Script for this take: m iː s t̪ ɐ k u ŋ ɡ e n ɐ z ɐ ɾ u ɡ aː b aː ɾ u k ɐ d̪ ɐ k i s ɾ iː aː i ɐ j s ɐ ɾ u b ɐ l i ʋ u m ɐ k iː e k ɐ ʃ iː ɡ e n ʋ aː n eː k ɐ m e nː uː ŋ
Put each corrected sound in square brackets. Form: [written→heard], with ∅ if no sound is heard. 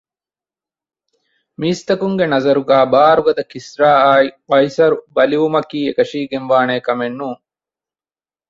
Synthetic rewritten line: m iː s t̪ ɐ k u ŋ ɡ e n ɐ z ɐ ɾ u ɡ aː b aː ɾ u [k→ɡ] ɐ d̪ ɐ k i s ɾ [iː→aː] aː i ɐ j s ɐ ɾ u b ɐ l i ʋ u m ɐ k iː e k ɐ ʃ iː ɡ e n ʋ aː n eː k ɐ m e nː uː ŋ